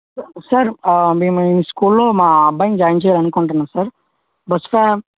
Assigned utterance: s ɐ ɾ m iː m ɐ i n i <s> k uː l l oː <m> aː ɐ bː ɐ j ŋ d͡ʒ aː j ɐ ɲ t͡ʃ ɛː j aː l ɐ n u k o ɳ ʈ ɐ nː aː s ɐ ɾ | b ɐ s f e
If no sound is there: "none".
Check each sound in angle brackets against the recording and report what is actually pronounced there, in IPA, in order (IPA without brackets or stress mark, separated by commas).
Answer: s, m